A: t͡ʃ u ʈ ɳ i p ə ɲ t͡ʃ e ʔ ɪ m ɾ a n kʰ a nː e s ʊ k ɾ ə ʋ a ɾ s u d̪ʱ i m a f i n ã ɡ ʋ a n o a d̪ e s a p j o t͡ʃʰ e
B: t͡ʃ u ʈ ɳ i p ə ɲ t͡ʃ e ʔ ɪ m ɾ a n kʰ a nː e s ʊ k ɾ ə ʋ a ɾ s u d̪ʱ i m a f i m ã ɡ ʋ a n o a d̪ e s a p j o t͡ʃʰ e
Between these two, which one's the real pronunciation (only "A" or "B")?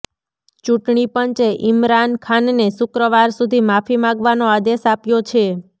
B